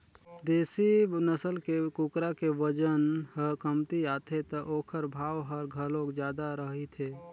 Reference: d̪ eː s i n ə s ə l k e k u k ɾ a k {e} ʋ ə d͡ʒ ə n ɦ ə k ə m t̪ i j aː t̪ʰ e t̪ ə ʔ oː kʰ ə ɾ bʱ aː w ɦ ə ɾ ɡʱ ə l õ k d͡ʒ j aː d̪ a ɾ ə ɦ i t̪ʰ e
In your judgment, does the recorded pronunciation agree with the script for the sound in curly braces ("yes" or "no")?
yes